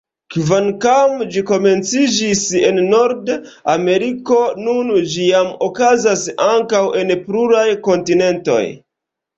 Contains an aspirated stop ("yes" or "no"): no